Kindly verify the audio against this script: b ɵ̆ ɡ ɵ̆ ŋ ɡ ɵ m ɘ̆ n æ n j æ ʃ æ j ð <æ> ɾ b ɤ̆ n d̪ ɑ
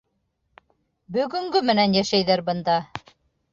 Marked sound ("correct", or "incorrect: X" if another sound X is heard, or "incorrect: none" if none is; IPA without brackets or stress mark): correct